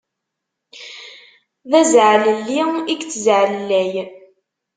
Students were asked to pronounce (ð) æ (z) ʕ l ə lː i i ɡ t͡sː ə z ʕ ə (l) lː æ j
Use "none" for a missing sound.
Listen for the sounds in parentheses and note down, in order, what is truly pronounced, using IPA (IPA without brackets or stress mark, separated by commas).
ð, z, l